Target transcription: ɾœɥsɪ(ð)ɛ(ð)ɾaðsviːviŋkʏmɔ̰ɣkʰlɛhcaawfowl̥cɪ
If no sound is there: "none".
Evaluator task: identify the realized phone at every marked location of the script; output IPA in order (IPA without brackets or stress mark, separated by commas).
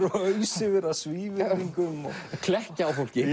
v, none